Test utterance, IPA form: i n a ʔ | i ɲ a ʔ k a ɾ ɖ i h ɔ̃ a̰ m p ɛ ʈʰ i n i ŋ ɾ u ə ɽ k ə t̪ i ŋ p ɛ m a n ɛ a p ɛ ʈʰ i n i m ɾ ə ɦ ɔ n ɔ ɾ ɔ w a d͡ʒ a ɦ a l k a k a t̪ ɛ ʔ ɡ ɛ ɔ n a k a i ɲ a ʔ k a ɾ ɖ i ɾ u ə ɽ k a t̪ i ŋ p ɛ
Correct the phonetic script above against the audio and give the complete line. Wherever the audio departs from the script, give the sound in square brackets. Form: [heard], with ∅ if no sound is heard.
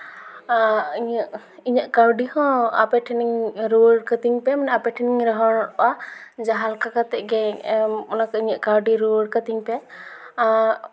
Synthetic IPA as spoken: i [ɲ] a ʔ | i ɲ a ʔ k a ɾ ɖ i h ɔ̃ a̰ [∅] p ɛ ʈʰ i n i ŋ ɾ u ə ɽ k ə t̪ i ŋ p ɛ m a n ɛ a p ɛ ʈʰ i n i [ŋ] ɾ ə ɦ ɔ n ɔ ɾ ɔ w a d͡ʒ a ɦ a l k a k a t̪ ɛ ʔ ɡ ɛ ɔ n a k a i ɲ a ʔ k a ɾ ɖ i ɾ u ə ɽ k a t̪ i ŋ p ɛ

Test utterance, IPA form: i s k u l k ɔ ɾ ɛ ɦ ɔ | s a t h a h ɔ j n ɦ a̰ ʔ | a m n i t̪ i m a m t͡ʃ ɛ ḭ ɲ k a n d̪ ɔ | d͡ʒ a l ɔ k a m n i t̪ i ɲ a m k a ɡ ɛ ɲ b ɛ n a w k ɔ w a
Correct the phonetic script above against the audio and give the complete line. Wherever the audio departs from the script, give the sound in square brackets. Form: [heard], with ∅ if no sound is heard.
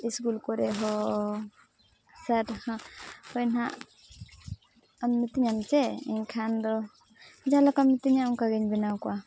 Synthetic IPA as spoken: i s k u l k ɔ ɾ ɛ ɦ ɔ | s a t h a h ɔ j n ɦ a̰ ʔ | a m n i t̪ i [ɲ] a m t͡ʃ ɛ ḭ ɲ [kʰ] a n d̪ ɔ | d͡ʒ a l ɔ k a m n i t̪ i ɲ a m k a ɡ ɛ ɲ b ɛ n a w k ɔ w a

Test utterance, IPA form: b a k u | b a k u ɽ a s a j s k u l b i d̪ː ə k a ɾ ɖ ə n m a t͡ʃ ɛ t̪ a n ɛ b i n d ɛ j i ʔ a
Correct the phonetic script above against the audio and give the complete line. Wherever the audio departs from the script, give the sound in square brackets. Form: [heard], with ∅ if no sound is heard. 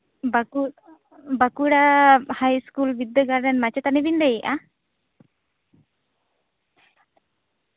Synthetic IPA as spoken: b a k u | b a k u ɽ a [h] a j s k u l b i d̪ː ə [ɡ] a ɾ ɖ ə n m a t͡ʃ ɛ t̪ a n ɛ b i n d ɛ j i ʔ a

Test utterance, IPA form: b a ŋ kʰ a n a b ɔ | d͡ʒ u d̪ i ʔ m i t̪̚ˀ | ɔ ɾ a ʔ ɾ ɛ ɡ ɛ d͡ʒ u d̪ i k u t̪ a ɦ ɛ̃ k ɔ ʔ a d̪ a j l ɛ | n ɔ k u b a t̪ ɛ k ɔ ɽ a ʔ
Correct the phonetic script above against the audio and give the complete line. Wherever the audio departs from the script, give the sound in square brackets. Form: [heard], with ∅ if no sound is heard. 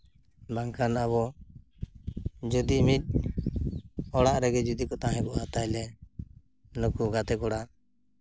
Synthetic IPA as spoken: b a ŋ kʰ a n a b ɔ | d͡ʒ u d̪ i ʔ m i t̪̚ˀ | ɔ [ɽ] a ʔ ɾ ɛ ɡ ɛ d͡ʒ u d̪ i k [ɔ] t̪ a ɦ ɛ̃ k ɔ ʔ a [t̪] a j l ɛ | n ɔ k u [ɡ] a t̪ ɛ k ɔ ɽ a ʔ

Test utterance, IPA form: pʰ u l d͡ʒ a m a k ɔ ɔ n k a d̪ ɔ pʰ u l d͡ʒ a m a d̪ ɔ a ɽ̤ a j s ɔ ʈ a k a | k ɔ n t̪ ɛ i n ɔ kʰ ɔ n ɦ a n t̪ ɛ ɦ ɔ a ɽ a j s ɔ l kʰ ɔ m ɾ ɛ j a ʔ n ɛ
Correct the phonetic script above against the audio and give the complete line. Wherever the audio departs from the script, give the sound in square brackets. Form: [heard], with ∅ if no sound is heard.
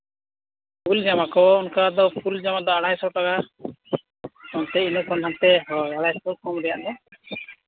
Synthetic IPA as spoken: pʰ u l d͡ʒ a m a k ɔ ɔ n k a d̪ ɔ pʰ u l d͡ʒ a m a d̪ ɔ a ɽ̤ a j s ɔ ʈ a k a | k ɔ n t̪ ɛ i n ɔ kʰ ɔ n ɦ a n t̪ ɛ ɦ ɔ a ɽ a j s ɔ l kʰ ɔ m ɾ ɛ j a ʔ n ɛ

